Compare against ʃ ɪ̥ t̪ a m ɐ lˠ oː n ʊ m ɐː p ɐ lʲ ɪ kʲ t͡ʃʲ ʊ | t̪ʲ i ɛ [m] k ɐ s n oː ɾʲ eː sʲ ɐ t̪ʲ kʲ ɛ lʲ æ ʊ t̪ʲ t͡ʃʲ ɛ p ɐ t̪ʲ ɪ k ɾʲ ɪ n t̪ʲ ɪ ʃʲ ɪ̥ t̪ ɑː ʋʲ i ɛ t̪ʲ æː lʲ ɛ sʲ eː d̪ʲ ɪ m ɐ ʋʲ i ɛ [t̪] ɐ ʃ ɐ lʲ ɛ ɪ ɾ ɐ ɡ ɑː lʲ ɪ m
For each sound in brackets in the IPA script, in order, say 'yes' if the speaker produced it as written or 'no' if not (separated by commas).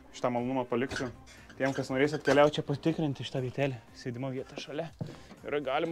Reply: yes, yes